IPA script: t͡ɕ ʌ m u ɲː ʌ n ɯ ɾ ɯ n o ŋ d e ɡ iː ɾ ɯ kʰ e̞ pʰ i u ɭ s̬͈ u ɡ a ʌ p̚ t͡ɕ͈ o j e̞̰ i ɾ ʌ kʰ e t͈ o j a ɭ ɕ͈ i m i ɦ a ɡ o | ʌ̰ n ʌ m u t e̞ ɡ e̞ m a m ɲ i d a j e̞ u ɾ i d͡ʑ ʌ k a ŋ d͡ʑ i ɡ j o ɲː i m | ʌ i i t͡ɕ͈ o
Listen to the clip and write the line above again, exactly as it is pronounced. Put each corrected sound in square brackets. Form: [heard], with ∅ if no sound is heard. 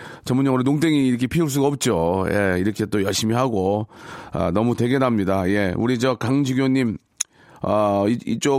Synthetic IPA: t͡ɕ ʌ m u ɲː ʌ [ŋ] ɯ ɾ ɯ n o ŋ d e [ŋ] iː ɾ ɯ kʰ e̞ pʰ i u ɭ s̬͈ u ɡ a ʌ p̚ t͡ɕ͈ o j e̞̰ i ɾ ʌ kʰ e t͈ o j [ʌ] ɭ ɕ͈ i m i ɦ a ɡ o | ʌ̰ n ʌ m u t e̞ ɡ e̞ [n] a m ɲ i d a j e̞ u ɾ i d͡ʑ ʌ k a ŋ d͡ʑ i ɡ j o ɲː i m | ʌ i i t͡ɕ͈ o